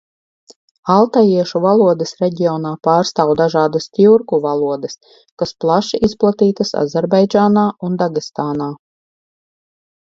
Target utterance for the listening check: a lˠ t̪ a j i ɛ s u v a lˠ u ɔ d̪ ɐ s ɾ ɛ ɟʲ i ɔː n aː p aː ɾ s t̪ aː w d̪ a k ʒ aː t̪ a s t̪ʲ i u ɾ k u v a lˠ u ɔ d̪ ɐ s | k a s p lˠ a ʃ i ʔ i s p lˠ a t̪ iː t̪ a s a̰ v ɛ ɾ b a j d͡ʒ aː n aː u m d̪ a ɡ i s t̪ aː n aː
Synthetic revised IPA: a lˠ t̪ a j i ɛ ʃ u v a lˠ u ɔ d̪ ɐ s ɾ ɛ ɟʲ i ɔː n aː p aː ɾ s t̪ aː w d̪ a ʒ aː d̪ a s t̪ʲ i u ɾ k u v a lˠ u ɔ d̪ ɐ s | k a s p lˠ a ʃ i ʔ i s p lˠ a t̪ iː t̪ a s a̰ z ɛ ɾ b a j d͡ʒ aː n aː u n d̪ a ɡ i s t̪ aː n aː